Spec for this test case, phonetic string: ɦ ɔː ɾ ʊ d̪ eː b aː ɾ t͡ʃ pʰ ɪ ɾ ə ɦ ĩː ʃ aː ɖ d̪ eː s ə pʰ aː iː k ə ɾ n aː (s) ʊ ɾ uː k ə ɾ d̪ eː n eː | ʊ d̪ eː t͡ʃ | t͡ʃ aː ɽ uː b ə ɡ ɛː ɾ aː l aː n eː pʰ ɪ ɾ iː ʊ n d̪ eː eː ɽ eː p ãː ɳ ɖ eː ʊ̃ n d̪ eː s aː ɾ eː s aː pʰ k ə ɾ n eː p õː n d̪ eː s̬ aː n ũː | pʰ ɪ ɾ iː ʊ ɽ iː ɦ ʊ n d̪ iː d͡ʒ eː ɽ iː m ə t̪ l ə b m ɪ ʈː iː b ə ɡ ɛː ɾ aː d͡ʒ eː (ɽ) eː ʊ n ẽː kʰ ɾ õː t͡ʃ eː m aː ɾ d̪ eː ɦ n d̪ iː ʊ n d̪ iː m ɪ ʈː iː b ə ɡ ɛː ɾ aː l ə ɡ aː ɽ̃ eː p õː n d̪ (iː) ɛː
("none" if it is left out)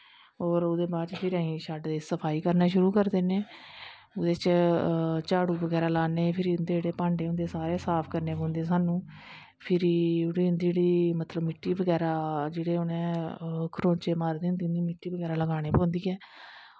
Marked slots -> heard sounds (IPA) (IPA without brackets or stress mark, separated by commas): ʃ, ɽ, iː